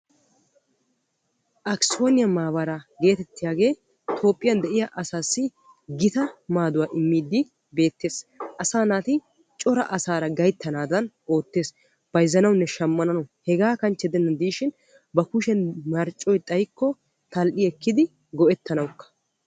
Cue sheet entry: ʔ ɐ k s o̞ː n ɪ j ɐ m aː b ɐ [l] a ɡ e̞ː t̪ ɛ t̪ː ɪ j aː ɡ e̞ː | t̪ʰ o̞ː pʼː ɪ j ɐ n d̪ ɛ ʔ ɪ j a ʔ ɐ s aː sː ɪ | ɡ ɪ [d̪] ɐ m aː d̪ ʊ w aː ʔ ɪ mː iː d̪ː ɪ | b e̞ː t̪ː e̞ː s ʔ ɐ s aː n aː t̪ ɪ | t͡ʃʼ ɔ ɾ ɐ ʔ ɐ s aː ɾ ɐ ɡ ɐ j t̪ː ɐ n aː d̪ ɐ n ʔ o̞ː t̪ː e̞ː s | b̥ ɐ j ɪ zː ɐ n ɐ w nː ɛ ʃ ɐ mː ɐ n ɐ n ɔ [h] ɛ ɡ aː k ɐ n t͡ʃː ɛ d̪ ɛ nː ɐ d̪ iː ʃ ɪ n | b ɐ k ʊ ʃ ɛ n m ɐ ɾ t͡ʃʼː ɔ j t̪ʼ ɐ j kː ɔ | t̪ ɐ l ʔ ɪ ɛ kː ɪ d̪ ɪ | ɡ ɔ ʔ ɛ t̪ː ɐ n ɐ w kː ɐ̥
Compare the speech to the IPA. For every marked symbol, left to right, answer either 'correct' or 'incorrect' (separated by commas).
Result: incorrect, incorrect, correct